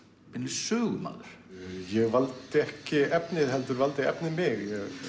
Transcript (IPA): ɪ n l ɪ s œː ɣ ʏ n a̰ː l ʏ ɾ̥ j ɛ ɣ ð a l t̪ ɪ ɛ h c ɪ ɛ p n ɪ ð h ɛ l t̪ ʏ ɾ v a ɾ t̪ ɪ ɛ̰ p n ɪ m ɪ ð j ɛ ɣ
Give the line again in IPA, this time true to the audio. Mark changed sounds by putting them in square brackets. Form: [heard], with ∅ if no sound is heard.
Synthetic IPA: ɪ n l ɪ s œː ɣ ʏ [m] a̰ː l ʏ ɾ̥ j ɛ ɣ [v] a l t̪ ɪ ɛ h c ɪ ɛ p n ɪ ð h ɛ l t̪ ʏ ɾ v a [l] t̪ ɪ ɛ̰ p n ɪ m ɪ [ɣ] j ɛ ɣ

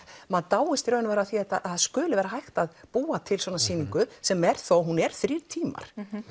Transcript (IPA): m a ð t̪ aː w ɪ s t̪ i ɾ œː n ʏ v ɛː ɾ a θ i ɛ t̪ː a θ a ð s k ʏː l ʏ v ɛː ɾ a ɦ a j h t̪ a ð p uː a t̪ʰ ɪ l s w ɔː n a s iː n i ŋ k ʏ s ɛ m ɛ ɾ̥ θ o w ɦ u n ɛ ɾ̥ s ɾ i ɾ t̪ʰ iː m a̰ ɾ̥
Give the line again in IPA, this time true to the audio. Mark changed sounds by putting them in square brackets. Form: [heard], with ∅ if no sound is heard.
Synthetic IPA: m a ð t̪ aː w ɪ s t̪ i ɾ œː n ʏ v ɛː ɾ a θ i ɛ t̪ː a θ a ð s k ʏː l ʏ v ɛː ɾ a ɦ a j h t̪ a ð p uː a t̪ʰ ɪ l s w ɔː n a s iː n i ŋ k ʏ s ɛ m ɛ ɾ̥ θ o w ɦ u n ɛ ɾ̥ [θ] ɾ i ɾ t̪ʰ iː m a̰ ɾ̥

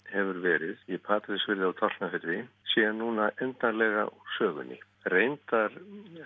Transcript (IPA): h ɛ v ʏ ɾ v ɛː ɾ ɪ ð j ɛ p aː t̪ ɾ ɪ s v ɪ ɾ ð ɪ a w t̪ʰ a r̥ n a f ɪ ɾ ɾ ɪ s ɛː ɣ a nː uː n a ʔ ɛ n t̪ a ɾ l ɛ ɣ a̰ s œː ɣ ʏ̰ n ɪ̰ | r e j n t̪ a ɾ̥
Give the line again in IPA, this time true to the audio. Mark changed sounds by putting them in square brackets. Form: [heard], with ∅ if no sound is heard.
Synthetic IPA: h ɛ v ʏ ɾ v ɛː ɾ ɪ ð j ɛ [pʰ] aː t̪ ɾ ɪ s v ɪ ɾ ð ɪ a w t̪ʰ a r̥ n a f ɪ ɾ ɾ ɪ s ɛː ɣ a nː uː n a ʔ ɛ n t̪ a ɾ l ɛ ɣ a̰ s œː ɣ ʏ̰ n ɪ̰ | r e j n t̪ a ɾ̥

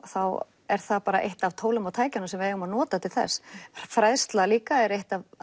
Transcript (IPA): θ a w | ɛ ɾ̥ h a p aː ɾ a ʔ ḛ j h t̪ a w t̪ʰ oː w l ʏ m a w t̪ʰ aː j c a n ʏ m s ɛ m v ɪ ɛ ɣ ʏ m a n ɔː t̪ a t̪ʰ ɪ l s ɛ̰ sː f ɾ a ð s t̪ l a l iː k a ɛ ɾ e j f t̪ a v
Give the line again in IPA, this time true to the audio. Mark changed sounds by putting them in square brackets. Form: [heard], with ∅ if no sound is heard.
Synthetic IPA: θ a w | ɛ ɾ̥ [θ] a p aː ɾ a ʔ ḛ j h t̪ a [v] t̪ʰ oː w l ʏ m a w t̪ʰ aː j c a n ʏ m s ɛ m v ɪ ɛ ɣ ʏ m a n ɔː t̪ a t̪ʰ ɪ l [θ] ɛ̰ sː f ɾ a ð s t̪ l a l iː k a ɛ ɾ e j [h] t̪ a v

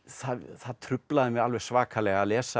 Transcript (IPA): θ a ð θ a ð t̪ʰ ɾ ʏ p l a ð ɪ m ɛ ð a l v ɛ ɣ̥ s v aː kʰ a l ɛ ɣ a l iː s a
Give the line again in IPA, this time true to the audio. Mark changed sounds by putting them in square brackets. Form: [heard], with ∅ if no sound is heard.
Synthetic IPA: θ a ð θ a ð t̪ʰ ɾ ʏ p l a ð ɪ m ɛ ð a l v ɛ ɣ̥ s v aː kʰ a l ɛ ɣ a l [ɛː] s a

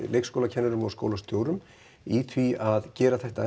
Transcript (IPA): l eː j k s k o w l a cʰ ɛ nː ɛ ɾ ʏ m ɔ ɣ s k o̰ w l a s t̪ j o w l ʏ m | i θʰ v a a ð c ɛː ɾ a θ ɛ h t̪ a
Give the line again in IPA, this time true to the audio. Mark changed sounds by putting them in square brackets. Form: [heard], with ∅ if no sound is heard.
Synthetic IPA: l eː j k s k o w l a cʰ ɛ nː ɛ ɾ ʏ m ɔ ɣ s k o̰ w l a s t̪ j o w [ɾ] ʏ m | i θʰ v [i] a ð c ɛː ɾ a θ ɛ h t̪ a

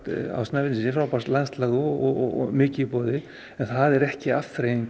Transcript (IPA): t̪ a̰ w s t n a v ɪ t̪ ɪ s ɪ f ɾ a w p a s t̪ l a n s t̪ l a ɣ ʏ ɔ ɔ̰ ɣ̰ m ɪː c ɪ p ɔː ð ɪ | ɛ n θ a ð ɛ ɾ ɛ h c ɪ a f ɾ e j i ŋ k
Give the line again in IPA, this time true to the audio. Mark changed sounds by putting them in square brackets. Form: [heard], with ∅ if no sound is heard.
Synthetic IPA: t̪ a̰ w s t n a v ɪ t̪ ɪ s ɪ f ɾ a w p a s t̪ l a n s t̪ l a ɣ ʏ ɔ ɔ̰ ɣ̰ m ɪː c ɪ p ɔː ð ɪ | ɛ n θ a ð ɛ ɾ ɛ h c ɪ a f ɾ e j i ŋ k

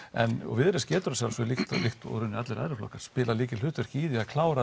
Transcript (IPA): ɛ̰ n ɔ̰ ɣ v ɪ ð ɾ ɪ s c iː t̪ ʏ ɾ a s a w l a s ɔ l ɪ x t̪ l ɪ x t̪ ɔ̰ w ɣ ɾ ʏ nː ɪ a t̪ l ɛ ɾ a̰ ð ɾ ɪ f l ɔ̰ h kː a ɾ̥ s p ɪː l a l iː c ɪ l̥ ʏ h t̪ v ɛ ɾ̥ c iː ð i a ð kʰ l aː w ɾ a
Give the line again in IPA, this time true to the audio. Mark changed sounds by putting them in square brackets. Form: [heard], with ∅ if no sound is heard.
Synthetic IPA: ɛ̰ n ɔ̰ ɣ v ɪ ð ɾ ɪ s c [ɛː] t̪ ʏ ɾ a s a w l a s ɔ l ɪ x t̪ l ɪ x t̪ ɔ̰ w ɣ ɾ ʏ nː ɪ a t̪ l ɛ ɾ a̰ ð ɾ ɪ f l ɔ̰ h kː a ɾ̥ s p ɪː l a l iː c ɪ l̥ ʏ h t̪ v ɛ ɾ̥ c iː ð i a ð kʰ l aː w ɾ a

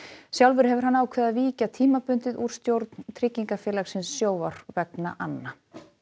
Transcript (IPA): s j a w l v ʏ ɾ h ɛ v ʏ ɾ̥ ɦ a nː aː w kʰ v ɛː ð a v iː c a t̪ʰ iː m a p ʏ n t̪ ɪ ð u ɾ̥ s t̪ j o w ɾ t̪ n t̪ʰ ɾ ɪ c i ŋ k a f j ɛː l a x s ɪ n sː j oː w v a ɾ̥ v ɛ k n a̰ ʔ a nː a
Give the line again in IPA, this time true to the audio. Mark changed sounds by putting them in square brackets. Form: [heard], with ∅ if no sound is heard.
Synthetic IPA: s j a w l v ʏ ɾ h ɛ v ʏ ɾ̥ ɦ a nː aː w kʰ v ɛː ð a v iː c a t̪ʰ iː m a p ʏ n t̪ ɪ ð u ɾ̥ s t̪ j o w ɾ t̪ n t̪ʰ ɾ ɪ c i ŋ k a f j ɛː l a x s ɪ n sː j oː w v a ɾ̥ v ɛ k n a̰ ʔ a nː a

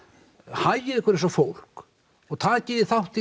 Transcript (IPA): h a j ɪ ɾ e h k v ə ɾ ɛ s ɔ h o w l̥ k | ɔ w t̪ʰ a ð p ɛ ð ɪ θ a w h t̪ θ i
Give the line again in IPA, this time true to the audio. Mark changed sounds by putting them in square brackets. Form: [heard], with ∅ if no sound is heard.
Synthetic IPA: h a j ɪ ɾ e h k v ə ɾ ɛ s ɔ [f] o w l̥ k | ɔ [ɣ] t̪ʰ a ð [c] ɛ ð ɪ θ a w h t̪ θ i

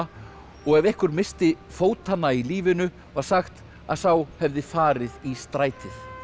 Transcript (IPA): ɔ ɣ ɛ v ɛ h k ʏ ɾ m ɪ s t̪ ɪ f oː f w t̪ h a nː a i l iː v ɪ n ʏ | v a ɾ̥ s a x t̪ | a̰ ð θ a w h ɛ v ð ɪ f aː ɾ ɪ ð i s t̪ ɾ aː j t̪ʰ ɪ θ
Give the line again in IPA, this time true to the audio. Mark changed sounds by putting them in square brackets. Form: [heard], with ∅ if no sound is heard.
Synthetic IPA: ɔ ɣ ɛ v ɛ h k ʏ ɾ m ɪ s t̪ ɪ f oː [∅] w t̪ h a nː a i l iː v ɪ n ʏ | v a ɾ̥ s a x t̪ | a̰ ð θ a w h ɛ v ð ɪ f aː ɾ ɪ ð i s t̪ ɾ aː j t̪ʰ ɪ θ

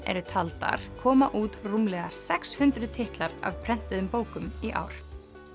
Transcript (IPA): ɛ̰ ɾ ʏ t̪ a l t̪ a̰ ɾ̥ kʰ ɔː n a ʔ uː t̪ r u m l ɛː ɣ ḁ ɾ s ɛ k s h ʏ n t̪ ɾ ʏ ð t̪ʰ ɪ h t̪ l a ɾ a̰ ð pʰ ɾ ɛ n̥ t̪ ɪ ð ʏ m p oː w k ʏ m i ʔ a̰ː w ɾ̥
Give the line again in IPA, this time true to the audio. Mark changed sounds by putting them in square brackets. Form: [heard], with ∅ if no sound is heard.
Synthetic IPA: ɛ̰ ɾ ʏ [t̪ʰ] a l t̪ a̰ ɾ̥ kʰ ɔː [m] a ʔ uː t̪ r u m l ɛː ɣ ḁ [∅] s ɛ k s h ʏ n t̪ ɾ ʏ ð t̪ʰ ɪ h t̪ l a ɾ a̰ [v] pʰ ɾ ɛ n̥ t̪ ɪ ð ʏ m p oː w k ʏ m i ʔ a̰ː w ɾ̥

